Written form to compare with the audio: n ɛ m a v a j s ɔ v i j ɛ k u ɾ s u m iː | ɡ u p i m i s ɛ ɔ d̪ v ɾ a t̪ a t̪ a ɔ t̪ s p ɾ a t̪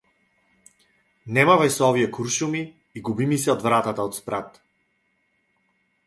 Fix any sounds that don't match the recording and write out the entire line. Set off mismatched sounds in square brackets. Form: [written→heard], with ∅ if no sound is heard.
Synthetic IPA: n ɛ m a v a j s ɔ v i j ɛ k u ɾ [s→ʃ] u m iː | ɡ u [p→b] i m i s ɛ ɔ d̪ v ɾ a t̪ a t̪ a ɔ t̪ s p ɾ a t̪